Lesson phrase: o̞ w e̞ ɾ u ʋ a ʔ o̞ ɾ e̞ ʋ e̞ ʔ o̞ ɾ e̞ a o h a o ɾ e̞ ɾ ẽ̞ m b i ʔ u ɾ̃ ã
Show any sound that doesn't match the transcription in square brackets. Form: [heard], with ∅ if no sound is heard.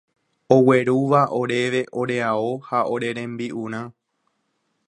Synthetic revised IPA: o̞ w e̞ ɾ u ʋ a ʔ o̞ ɾ e̞ ʋ e̞ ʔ o̞ ɾ e̞ a o h a o ɾ e̞ ɾ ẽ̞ m b i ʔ u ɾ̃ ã